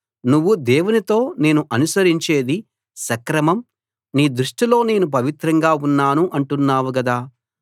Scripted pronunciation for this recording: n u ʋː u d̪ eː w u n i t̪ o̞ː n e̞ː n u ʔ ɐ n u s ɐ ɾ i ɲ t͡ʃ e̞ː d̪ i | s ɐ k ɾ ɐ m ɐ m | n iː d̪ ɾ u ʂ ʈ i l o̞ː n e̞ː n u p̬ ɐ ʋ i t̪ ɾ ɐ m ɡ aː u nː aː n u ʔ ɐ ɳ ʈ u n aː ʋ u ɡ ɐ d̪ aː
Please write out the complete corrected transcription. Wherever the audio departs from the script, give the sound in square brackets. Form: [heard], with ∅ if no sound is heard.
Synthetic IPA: n u ʋː u d̪ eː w u n i t̪ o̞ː n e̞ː n u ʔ ɐ n u s ɐ ɾ i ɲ t͡ʃ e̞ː d̪ i | s ɐ k ɾ ɐ m ɐ m | n iː d̪ ɾ u ʂ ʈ i l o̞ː n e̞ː n u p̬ ɐ ʋ i t̪ ɾ ɐ [ŋ] ɡ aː u nː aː n u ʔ ɐ ɳ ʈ u [nː] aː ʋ u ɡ ɐ d̪ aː

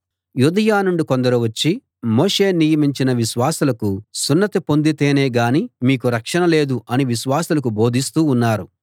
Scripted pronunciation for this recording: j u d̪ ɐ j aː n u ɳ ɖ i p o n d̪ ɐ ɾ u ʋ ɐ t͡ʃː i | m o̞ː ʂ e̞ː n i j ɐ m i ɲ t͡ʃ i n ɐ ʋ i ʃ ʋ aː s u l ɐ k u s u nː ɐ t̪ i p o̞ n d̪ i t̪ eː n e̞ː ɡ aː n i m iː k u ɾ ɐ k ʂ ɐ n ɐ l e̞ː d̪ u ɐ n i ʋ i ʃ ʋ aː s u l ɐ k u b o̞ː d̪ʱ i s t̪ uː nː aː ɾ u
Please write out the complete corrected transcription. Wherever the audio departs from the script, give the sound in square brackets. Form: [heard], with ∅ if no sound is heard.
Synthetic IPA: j u d̪ ɐ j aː n u ɳ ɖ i [k] o n d̪ ɐ ɾ u ʋ ɐ t͡ʃː i | m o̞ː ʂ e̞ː n i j ɐ m i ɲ t͡ʃ i n ɐ ʋ i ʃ ʋ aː s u l ɐ k u s u nː ɐ t̪ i p o̞ n d̪ i t̪ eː n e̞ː ɡ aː n i m iː k u ɾ ɐ k ʂ ɐ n ɐ l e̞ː d̪ u ɐ n i ʋ i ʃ ʋ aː s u l ɐ k u b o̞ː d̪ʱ i s t̪ uː nː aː ɾ u

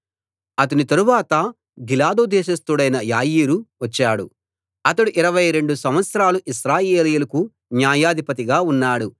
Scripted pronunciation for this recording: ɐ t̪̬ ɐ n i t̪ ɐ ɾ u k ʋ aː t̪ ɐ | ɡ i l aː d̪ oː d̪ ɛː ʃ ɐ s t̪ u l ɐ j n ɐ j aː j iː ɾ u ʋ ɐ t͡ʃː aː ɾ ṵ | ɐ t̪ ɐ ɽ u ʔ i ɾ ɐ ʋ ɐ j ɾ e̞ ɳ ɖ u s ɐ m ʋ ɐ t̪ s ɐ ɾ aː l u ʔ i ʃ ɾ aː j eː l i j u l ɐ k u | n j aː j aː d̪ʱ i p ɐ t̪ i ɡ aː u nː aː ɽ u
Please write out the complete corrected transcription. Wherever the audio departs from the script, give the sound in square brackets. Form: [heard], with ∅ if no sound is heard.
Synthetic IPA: ɐ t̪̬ ɐ n i t̪ ɐ ɾ u [∅] ʋ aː t̪ ɐ | ɡ i l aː d̪ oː d̪ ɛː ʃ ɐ s t̪ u [ɽ] ɐ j n ɐ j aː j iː ɾ u ʋ ɐ t͡ʃː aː [ɽ] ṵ | ɐ t̪ ɐ ɽ u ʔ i ɾ ɐ ʋ ɐ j ɾ e̞ ɳ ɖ u s ɐ m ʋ ɐ t̪ s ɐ ɾ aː l u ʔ i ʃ ɾ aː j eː l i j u l ɐ k u | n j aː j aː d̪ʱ i p ɐ t̪ i ɡ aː u nː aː ɽ u

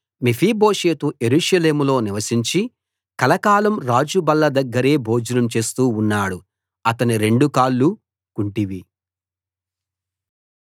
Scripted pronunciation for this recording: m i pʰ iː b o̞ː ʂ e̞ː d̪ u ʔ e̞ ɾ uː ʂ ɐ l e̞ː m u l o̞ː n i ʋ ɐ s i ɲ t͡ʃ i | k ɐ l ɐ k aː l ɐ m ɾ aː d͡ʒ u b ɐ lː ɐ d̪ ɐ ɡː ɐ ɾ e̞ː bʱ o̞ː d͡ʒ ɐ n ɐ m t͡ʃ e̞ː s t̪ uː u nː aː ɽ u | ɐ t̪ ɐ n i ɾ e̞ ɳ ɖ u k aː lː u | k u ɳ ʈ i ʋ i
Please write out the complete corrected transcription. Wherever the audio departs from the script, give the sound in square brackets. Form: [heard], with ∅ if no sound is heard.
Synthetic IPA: m i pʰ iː b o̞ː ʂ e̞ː [t̪] u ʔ e̞ ɾ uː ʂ ɐ l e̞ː m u l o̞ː n i ʋ ɐ s i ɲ t͡ʃ i | k ɐ l ɐ k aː l ɐ m ɾ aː d͡ʒ u b ɐ lː ɐ d̪ ɐ ɡː ɐ ɾ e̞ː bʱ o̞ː d͡ʒ ɐ n ɐ m t͡ʃ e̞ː s t̪ uː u nː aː ɽ u | ɐ t̪ ɐ n i ɾ e̞ ɳ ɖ u k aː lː u | k u ɳ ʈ i ʋ i

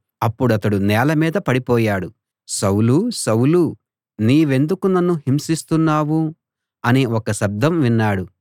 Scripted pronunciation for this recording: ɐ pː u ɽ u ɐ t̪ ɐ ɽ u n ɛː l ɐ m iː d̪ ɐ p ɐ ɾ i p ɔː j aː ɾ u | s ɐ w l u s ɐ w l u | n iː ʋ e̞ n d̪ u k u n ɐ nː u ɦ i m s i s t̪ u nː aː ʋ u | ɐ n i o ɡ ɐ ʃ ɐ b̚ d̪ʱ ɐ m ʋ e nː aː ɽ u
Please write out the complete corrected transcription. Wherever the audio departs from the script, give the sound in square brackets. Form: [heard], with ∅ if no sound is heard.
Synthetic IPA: ɐ pː u ɽ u ɐ t̪ ɐ ɽ u n ɛː l ɐ m iː d̪ ɐ p ɐ [ɽ] i p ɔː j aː [ɽ] u | s ɐ w l u s ɐ w l u | n iː ʋ e̞ n d̪ u k u n ɐ nː u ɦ i m s i s t̪ u nː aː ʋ u | ɐ n i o [k] ɐ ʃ ɐ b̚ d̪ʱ ɐ m ʋ [i] nː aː ɽ u

